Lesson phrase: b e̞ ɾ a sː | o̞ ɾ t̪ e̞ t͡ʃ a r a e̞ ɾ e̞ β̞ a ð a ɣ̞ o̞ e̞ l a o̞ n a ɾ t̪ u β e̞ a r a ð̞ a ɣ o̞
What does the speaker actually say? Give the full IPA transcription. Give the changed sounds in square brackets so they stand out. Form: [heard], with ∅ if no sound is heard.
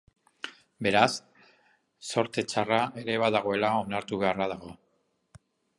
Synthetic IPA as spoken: b e̞ ɾ a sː | o̞ ɾ t̪ e̞ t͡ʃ a r a e̞ ɾ e̞ β̞ a ð a ɣ̞ o̞ e̞ l a o̞ n a ɾ t̪ u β e̞ a r a ð̞ a ɣ o̞